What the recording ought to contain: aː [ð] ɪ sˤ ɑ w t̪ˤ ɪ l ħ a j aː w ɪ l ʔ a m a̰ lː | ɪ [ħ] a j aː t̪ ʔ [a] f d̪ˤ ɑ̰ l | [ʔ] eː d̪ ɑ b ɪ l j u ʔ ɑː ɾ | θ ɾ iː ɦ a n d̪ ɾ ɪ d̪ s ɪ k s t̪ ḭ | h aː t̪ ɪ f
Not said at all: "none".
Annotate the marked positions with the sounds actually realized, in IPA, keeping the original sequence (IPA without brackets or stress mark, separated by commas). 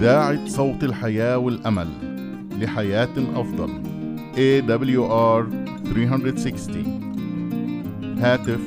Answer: ʕ, ħ, ɑ, ʔ